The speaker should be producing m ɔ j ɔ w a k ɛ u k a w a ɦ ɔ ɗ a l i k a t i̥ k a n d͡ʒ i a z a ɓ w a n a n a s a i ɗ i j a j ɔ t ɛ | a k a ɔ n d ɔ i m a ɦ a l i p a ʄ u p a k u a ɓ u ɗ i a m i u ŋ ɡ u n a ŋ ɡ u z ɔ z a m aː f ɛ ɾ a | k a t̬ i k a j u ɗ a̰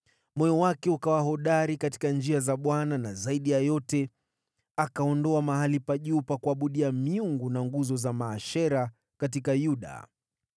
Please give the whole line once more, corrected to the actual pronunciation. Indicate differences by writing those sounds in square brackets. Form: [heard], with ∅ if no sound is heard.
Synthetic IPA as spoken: m ɔ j ɔ w a k ɛ u k a w a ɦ ɔ ɗ a [ɾ] i k a t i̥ k a n d͡ʒ i a z a ɓ w a n a n a [z] a i ɗ i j a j ɔ t ɛ | a k a ɔ n d ɔ [a] m a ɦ a l i p a ʄ u p a k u a ɓ u ɗ i a m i u ŋ ɡ u n a ŋ ɡ u z ɔ z a m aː [ʃ] ɛ ɾ a | k a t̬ i k a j u ɗ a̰